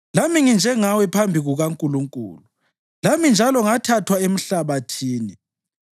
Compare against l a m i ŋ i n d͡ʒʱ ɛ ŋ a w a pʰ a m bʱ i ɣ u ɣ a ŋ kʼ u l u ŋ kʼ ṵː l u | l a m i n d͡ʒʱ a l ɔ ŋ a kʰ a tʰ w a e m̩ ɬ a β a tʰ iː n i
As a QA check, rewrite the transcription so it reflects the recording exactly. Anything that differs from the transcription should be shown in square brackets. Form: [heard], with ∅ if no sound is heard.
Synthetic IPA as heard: l a m i ŋ i n d͡ʒʱ ɛ ŋ a w [ɛ] pʰ a m bʱ i ɣ u ɣ a ŋ kʼ u l u ŋ kʼ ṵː l u | l a m i n d͡ʒʱ a l ɔ ŋ a [tʰ] a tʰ w a e m̩ ɬ a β a tʰ iː n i

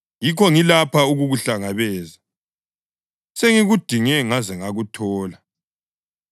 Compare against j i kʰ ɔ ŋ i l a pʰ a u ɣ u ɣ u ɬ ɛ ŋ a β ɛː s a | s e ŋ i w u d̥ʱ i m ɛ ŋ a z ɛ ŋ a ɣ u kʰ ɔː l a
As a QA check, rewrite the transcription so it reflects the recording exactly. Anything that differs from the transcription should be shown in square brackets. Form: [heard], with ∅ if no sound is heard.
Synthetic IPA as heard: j i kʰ ɔ ŋ i l a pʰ a u ɣ u ɣ u ɬ [a] ŋ a β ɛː [z] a | s e ŋ i [ɣ] u d̥ʱ i [ŋ] ɛ ŋ a z ɛ ŋ a ɣ u [tʰ] ɔː l a

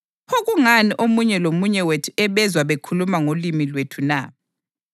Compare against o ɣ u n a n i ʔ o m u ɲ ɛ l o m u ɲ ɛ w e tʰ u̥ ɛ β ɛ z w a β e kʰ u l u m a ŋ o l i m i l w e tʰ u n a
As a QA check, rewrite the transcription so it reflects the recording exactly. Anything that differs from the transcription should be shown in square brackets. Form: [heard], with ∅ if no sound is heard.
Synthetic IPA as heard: o ɣ u [ŋ] a n i ʔ o m u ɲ ɛ l o m u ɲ ɛ w e tʰ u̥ ɛ β ɛ z w a β e kʰ u l u m a ŋ o l i m i l w e tʰ u n a

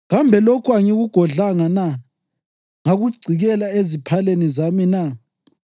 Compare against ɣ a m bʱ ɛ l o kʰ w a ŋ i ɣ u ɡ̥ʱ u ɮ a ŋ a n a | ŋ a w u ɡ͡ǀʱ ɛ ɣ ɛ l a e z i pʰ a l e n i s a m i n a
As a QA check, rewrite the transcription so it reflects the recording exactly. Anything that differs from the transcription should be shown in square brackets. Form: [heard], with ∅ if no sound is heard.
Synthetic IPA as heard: ɣ a m bʱ ɛ l o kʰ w a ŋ i ɣ u ɡ̥ʱ [ɔ] ɮ a ŋ a n a | ŋ a [ɣ] u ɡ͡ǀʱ [i] ɣ ɛ l a e z i pʰ a l e n i [z] a m i n a

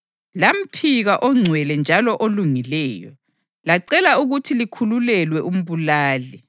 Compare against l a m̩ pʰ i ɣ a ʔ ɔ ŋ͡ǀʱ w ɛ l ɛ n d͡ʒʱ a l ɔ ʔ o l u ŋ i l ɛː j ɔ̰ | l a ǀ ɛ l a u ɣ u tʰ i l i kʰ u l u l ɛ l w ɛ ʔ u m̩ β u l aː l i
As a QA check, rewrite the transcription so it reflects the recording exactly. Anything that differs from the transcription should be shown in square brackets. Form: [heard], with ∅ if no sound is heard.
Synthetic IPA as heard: l a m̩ pʰ i ɣ a ʔ ɔ ŋ͡ǀʱ w ɛ l ɛ n d͡ʒʱ a l ɔ ʔ o l u ŋ i l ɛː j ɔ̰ | l a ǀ ɛ l a u ɣ u tʰ i l i kʰ u l u l ɛ l w ɛ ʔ u m̩ β u l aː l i

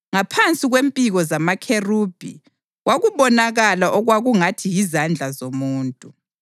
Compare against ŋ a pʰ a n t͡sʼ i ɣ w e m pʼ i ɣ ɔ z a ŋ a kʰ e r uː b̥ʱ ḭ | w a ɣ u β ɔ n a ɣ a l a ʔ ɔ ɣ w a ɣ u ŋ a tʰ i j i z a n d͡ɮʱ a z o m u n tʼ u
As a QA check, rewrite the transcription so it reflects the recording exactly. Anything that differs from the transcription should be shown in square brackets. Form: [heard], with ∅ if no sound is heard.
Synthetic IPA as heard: ŋ a pʰ a n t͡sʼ i ɣ w e m pʼ i ɣ ɔ z a [m] a kʰ e r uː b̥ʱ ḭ | w a ɣ u β ɔ n a ɣ a l a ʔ ɔ ɣ w a ɣ u ŋ a tʰ i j i z a n d͡ɮʱ a z o m [uː] n tʼ u

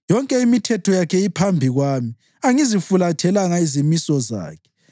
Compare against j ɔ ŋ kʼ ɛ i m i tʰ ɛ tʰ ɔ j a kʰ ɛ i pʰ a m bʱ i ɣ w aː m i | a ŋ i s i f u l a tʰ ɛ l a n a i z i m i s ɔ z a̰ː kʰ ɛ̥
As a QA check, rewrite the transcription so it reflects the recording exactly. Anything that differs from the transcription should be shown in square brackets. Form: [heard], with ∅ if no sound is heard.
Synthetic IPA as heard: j ɔ ŋ kʼ ɛ i m i tʰ ɛ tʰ ɔ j a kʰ ɛ i pʰ a m bʱ i ɣ w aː m i | a ŋ i [z] i f u l a tʰ ɛ l a [ŋ] a i z i m i s ɔ z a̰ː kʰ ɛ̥

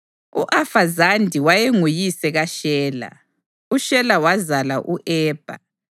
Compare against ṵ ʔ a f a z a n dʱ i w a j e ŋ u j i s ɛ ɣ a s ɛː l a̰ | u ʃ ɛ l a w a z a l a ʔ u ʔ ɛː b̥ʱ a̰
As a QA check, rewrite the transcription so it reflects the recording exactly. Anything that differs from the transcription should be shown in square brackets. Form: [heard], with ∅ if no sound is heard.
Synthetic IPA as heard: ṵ ʔ a f a z a n dʱ i w a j e ŋ u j i s ɛ ɣ a [ʃ] ɛː l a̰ | u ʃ ɛ l a w a z a l a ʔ u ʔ ɛː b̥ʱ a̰

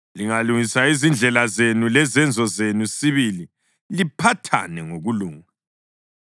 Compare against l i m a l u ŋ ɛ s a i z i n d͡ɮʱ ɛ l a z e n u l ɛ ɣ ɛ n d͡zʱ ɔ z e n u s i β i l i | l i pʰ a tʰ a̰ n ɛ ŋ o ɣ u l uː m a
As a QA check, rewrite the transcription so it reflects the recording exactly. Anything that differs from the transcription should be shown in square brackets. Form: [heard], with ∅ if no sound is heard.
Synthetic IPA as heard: l i [ŋ] a l u ŋ [i] s a i z i n d͡ɮʱ ɛ l a z e n u l ɛ [z] ɛ n d͡zʱ ɔ z e n u s i β i l i | l i pʰ a tʰ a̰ n ɛ ŋ o ɣ u l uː [ŋ] a

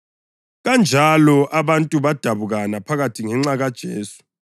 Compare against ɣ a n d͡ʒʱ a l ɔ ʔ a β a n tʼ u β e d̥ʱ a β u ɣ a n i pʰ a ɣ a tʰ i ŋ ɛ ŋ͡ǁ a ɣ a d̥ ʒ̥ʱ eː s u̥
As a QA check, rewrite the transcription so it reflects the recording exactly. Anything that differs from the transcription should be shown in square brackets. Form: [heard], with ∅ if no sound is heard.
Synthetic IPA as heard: ɣ a n d͡ʒʱ a l ɔ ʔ a β a n tʼ u β [a] d̥ʱ a β u ɣ a n [a] pʰ a ɣ a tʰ i ŋ ɛ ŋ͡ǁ a ɣ a d̥ ʒ̥ʱ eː s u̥

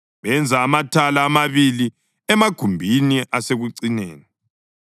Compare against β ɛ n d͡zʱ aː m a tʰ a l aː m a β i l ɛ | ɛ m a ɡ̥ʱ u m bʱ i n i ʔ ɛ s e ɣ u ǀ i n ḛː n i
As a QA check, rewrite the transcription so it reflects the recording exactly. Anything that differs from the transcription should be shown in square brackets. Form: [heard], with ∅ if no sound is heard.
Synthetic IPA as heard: β ɛ n d͡zʱ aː m a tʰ a l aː m a β i l [i] | ɛ m a ɡ̥ʱ u m bʱ i n i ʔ [a] s e ɣ u ǀ i n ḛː n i

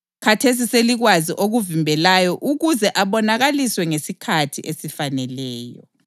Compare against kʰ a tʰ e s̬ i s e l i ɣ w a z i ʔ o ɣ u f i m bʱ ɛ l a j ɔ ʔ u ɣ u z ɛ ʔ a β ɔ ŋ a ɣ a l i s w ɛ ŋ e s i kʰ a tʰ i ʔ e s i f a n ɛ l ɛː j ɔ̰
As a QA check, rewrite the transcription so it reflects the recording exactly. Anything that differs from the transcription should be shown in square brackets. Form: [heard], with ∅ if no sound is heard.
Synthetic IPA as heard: kʰ a tʰ e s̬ i s e l i ɣ w a z i ʔ o ɣ u [v] i m bʱ ɛ l a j ɔ ʔ u ɣ u z ɛ ʔ a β ɔ [n] a ɣ a l i s w ɛ ŋ e s i kʰ a tʰ i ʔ e s i f a n ɛ l ɛː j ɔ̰

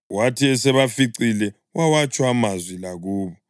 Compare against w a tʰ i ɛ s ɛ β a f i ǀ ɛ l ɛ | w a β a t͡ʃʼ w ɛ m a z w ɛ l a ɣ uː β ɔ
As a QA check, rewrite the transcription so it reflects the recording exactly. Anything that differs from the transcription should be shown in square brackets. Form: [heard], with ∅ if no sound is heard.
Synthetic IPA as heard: w a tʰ i ɛ s ɛ β a f i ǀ [i] l ɛ | w a [w] a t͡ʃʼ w [a] m a z w [i] l a ɣ uː β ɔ

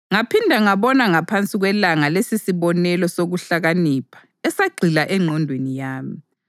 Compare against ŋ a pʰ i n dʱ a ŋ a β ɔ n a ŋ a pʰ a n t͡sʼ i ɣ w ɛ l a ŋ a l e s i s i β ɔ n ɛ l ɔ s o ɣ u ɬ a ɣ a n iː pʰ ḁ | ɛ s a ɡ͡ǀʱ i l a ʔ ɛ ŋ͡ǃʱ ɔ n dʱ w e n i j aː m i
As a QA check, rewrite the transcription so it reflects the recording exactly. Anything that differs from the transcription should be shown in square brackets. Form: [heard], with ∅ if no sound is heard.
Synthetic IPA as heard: ŋ a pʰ i n dʱ a ŋ a β ɔ n a ŋ a pʰ a n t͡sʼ i ɣ w ɛ l a ŋ a l e s i s i β ɔ n ɛ l ɔ s o ɣ u ɬ a ɣ a n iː pʰ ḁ | ɛ s a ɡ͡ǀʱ i l a ʔ ɛ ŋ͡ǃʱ ɔ n dʱ w e n i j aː m i

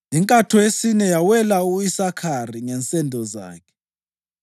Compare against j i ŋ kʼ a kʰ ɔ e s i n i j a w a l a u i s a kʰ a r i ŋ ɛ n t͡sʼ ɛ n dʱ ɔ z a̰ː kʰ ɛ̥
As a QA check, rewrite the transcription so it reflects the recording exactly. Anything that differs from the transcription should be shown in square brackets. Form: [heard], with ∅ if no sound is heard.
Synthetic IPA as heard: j i ŋ kʼ a [tʰ] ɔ e s i n [ɛ] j a w [ɛ] l a u i s a kʰ a r i ŋ ɛ n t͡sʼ ɛ n dʱ ɔ z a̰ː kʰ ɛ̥

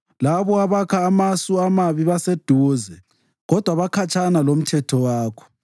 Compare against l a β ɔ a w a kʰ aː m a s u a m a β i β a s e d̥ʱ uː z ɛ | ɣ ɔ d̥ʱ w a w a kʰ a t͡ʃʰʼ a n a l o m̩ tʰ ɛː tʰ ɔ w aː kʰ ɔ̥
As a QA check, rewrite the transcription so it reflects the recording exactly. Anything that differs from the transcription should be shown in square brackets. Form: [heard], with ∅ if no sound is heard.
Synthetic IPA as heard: l a β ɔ a [β] a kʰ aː m a s u a m a β i β a s e d̥ʱ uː z ɛ | ɣ ɔ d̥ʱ w a [β] a kʰ a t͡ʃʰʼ a n a l o m̩ tʰ [ɛ] tʰ ɔ w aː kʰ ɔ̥

